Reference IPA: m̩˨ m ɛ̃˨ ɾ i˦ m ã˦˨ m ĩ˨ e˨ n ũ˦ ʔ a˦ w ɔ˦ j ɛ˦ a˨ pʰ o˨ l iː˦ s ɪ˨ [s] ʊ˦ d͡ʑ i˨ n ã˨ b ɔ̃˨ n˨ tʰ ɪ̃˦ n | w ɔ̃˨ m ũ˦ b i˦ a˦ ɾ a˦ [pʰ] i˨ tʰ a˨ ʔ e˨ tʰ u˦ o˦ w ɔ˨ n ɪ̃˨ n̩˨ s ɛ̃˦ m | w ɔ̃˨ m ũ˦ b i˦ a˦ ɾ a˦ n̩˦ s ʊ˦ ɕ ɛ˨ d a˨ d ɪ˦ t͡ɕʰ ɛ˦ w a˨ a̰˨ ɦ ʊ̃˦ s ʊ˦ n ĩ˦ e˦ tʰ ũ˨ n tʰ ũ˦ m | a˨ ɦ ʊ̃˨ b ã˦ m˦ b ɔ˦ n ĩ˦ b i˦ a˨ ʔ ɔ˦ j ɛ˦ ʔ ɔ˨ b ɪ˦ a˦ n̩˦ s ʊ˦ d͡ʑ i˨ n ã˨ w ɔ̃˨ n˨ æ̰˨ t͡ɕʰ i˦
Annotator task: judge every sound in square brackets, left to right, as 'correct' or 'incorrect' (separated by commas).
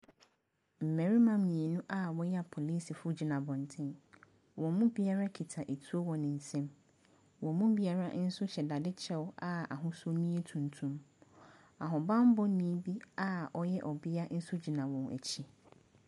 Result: incorrect, incorrect